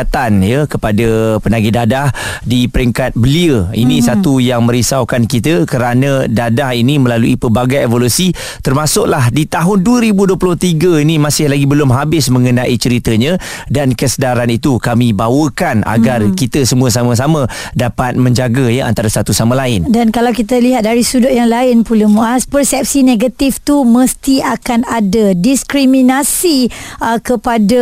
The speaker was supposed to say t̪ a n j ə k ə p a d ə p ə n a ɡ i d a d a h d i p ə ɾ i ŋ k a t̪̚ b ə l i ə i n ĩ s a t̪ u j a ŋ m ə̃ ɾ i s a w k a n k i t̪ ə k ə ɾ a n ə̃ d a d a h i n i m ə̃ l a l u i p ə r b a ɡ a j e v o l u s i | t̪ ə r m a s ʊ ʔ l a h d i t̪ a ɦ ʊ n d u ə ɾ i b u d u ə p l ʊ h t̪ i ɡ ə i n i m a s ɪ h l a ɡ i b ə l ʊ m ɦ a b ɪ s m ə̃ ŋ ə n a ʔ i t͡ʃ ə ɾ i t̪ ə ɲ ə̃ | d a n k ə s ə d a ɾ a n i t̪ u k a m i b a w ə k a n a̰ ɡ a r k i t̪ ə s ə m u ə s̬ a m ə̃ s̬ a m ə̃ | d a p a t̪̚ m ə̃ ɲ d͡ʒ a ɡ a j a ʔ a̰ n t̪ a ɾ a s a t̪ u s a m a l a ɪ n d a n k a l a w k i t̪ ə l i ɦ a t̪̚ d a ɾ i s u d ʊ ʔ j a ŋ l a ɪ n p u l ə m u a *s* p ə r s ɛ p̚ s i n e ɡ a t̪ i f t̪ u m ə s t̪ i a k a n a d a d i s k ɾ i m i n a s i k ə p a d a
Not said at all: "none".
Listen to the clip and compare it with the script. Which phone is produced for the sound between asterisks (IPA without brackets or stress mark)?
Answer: s